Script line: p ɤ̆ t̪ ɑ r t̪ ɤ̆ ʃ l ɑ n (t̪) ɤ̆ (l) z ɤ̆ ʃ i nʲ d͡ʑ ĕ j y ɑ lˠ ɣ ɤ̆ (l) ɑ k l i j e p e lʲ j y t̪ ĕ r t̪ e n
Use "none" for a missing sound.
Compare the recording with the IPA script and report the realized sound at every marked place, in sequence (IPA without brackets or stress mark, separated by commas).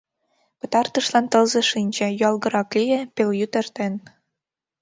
t̪, l, ɾ